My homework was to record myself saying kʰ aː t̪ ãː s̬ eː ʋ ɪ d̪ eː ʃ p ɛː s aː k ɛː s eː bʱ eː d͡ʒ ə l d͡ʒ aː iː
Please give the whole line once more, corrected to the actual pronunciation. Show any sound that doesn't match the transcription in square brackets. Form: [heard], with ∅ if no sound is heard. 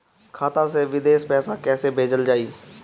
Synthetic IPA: kʰ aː t̪ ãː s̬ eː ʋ ɪ d̪ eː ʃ p ɛː s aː k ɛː s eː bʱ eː d͡ʒ ə l d͡ʒ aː iː

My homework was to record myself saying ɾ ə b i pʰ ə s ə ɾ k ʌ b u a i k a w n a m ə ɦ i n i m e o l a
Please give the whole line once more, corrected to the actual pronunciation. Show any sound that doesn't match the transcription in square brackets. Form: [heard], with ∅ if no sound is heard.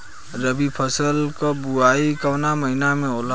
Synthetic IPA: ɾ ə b i pʰ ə s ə [l] k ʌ b u a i k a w n a m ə ɦ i n [a] m e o l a

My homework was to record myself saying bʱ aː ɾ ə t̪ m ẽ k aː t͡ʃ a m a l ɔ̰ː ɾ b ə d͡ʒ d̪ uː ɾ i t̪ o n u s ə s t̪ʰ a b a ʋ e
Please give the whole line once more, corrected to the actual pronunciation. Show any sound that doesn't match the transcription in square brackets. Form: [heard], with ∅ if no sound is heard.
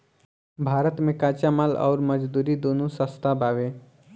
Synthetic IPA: bʱ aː ɾ ə t̪ m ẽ k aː t͡ʃ a m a l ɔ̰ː ɾ [m] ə d͡ʒ d̪ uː ɾ i [d̪] o n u s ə s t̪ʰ a b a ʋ e

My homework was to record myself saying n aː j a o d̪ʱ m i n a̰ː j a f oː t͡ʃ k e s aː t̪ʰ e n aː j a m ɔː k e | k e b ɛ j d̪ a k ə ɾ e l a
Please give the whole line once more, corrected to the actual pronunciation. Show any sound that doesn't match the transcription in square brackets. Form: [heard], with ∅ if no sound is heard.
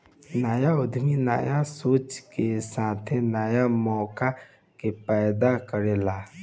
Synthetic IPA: n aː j a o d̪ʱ m i n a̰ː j a [s] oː t͡ʃ k e s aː t̪ʰ e n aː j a m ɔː k [a] | k e [p] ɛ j d̪ a k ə ɾ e l a

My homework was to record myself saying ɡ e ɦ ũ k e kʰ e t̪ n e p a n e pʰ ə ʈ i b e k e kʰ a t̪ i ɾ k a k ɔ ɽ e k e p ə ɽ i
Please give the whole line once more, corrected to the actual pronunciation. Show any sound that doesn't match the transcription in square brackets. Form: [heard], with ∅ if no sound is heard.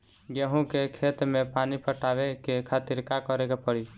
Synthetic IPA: ɡ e ɦ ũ k e kʰ e t̪ [m] e p a n [i] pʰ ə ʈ [a] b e k e kʰ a t̪ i ɾ k a k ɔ [ɾ] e k e p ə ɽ i

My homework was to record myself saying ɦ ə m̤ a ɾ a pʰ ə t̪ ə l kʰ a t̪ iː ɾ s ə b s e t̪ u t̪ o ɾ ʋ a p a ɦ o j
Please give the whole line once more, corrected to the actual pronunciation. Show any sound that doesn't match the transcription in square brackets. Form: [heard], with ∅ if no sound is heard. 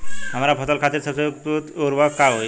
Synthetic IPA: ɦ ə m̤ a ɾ a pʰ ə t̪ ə l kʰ a t̪ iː ɾ s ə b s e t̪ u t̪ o ɾ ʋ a [k] a ɦ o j

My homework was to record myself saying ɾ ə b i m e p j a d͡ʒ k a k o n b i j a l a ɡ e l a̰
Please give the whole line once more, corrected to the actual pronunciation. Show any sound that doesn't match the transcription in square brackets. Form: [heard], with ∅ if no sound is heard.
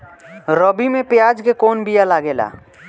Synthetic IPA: ɾ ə b i m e p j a d͡ʒ k [e] k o n b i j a l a ɡ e l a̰

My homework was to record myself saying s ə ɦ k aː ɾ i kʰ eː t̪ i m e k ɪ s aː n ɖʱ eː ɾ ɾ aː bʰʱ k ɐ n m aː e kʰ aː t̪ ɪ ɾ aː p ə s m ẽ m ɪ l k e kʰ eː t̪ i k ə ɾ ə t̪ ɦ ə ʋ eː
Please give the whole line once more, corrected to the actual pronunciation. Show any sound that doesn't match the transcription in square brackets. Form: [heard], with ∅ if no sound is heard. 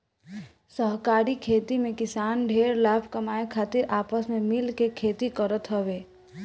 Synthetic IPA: s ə ɦ k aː ɾ i kʰ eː t̪ i m [ẽ] k ɪ s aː n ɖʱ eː ɾ [l] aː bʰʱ k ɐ [∅] m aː e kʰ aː t̪ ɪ ɾ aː p ə s m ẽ m ɪ l k e kʰ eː t̪ i k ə ɾ ə t̪ ɦ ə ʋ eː

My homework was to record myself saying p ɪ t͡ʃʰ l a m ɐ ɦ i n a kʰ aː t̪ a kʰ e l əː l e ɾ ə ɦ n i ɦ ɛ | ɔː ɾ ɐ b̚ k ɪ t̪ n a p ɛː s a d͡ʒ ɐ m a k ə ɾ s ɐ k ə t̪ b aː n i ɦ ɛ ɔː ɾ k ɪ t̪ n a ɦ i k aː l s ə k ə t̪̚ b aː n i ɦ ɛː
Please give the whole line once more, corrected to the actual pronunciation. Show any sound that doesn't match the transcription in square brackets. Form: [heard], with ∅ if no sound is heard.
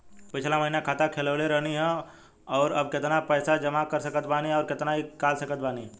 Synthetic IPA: p ɪ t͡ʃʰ l a m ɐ ɦ i n a kʰ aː t̪ a kʰ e l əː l e ɾ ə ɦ n i ɦ ɛ | ɔː ɾ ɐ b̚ k ɪ t̪ n a p ɛː s a d͡ʒ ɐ m a k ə ɾ s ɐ k ə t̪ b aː n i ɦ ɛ ɔː ɾ k ɪ t̪ n a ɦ i k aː l s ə k ə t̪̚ b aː n i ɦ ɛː

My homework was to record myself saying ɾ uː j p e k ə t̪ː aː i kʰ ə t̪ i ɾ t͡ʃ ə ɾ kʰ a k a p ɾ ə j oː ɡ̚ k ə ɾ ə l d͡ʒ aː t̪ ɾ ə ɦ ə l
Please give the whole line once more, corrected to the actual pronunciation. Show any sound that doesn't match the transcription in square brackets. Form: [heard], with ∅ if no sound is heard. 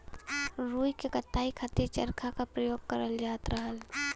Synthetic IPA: ɾ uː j [k] e k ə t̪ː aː i kʰ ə t̪ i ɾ t͡ʃ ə ɾ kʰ a k a p ɾ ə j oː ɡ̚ k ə ɾ ə l d͡ʒ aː t̪ ɾ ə ɦ ə l

